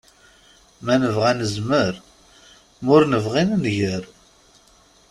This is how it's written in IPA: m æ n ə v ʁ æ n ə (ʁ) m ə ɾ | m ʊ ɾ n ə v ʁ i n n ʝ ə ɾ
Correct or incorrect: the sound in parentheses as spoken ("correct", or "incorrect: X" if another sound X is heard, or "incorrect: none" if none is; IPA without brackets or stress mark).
incorrect: z